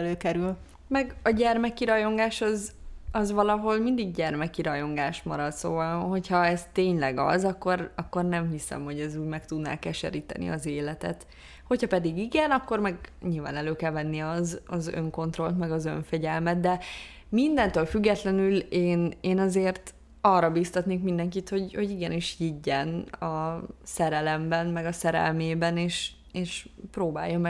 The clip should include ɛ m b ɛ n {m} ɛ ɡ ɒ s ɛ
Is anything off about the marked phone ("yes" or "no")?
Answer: no